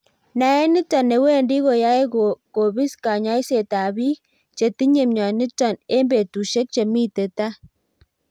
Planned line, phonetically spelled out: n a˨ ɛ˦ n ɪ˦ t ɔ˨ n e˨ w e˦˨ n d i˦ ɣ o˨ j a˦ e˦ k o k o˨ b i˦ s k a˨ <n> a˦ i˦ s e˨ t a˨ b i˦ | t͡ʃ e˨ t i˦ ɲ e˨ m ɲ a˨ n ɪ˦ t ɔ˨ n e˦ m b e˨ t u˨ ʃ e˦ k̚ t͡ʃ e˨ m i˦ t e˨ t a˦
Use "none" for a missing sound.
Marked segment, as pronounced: ɲ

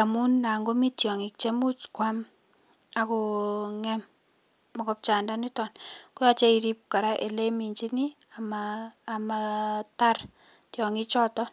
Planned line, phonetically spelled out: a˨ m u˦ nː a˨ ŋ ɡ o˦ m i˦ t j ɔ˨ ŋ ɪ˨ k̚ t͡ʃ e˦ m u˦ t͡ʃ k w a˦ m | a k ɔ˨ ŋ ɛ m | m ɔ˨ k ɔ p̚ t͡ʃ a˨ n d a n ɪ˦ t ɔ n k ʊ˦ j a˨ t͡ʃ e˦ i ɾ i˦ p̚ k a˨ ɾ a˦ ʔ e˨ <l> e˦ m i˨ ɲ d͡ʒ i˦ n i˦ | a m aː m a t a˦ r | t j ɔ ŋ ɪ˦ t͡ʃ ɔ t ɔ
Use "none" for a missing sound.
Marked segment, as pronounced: l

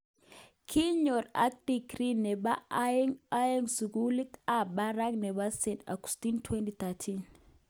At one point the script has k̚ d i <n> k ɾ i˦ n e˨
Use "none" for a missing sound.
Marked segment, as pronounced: none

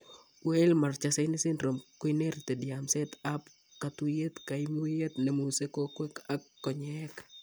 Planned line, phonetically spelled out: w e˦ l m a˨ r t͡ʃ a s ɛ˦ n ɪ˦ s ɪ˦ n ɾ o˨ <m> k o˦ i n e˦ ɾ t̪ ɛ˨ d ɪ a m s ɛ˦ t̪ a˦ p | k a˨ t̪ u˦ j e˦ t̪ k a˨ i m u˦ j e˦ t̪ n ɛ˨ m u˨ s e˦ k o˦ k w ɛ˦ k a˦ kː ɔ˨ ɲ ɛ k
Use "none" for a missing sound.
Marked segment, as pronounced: m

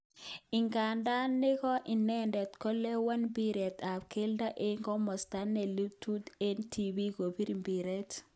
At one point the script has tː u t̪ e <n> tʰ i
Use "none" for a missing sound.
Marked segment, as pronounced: n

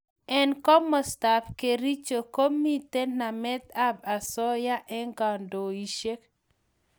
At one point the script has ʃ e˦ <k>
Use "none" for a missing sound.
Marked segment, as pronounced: k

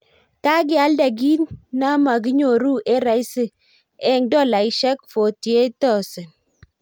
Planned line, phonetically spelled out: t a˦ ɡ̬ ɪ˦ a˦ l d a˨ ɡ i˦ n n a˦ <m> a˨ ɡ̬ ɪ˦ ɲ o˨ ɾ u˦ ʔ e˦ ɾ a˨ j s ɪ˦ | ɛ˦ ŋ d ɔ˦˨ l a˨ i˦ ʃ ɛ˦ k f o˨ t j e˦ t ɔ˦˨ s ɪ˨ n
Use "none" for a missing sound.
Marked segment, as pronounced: m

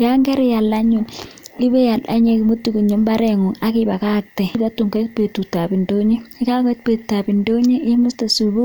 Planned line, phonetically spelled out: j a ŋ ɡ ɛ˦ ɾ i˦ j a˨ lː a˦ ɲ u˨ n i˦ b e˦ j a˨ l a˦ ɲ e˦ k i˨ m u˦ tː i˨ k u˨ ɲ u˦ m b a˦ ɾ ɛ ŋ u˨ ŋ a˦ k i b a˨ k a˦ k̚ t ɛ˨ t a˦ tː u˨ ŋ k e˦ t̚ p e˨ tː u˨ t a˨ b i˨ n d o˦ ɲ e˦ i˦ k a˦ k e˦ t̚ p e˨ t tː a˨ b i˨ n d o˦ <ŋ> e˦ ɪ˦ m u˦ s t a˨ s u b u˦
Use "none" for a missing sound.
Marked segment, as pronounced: ɲ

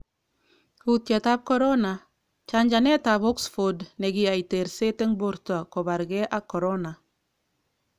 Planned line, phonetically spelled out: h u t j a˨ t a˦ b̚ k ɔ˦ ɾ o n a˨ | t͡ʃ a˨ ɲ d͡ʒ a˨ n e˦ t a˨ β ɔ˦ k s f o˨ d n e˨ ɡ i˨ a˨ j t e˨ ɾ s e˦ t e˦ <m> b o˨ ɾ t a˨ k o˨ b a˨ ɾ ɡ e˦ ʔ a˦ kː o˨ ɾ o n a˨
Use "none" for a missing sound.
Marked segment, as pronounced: ŋ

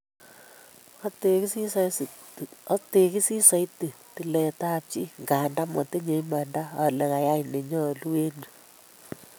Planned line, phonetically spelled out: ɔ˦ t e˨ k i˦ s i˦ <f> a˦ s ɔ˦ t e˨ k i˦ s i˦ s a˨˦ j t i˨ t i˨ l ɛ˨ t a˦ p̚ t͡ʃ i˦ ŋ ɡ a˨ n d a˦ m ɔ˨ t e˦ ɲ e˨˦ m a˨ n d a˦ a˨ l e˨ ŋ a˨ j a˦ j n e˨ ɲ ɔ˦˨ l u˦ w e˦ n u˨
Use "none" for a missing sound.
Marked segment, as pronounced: s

